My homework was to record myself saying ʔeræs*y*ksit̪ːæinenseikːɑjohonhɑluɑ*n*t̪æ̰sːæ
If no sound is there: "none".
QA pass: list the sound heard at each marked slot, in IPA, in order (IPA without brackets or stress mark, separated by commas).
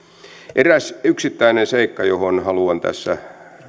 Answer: y, n